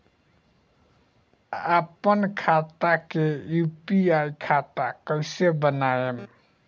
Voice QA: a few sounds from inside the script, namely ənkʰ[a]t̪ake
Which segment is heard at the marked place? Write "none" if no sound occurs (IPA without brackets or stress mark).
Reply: a